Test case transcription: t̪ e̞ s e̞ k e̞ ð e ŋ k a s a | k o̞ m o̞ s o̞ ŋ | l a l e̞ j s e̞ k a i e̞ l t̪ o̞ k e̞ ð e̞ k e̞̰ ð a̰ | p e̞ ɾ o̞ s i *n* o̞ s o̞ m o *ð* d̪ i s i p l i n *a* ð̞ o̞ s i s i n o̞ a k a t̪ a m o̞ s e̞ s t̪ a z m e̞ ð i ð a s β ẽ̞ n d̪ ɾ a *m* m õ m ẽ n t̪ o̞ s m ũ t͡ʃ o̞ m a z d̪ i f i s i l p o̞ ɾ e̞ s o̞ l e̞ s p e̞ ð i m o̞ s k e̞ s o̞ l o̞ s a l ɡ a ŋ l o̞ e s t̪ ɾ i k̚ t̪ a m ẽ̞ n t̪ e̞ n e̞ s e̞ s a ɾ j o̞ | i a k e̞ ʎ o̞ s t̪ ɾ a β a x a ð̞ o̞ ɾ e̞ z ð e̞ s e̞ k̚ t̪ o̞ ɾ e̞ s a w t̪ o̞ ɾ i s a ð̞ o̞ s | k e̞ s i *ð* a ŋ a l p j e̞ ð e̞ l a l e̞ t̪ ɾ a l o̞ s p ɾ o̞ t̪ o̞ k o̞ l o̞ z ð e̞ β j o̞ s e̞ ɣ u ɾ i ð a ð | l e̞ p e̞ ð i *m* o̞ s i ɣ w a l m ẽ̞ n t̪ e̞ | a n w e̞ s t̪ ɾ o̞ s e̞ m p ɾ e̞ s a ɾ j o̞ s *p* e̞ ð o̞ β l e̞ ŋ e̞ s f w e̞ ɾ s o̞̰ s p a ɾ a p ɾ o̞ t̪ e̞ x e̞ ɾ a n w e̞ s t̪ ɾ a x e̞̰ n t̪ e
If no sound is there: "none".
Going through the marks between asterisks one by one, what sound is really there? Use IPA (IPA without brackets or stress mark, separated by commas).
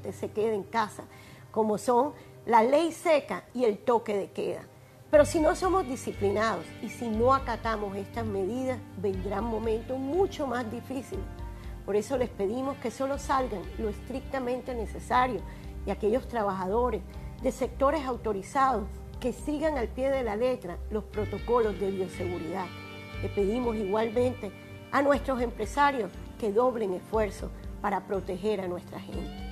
n, z, a, ŋ, ɣ, m, k